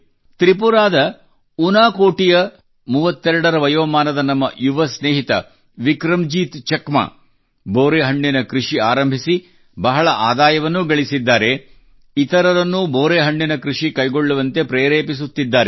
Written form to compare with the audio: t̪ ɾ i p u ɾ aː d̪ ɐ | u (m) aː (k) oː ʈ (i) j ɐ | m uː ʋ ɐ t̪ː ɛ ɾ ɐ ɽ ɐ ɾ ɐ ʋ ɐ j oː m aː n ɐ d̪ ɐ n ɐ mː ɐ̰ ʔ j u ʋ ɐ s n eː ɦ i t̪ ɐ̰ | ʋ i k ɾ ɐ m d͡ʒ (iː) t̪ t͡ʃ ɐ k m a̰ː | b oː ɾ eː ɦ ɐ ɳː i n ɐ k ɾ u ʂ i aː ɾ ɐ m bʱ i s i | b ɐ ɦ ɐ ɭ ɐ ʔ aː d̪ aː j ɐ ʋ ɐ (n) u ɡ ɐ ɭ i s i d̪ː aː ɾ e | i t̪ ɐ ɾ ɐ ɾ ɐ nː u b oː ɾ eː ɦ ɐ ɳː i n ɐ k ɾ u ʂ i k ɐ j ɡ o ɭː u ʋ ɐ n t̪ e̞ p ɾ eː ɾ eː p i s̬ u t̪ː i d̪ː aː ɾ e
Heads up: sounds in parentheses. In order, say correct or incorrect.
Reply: incorrect, correct, correct, correct, incorrect

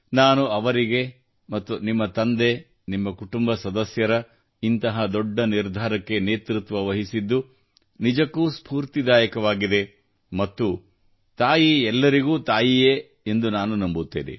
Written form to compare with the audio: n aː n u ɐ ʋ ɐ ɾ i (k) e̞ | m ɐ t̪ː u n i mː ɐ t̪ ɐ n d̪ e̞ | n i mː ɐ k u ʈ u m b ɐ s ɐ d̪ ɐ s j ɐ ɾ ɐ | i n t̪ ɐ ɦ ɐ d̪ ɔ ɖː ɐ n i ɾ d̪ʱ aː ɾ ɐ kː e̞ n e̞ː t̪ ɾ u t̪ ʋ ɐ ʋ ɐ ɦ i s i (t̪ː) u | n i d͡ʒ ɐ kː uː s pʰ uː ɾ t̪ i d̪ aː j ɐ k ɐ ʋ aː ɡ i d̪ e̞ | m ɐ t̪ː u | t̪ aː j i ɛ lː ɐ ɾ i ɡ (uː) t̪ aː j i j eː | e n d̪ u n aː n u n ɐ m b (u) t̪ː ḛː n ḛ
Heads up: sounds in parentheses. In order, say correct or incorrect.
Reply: incorrect, incorrect, correct, correct

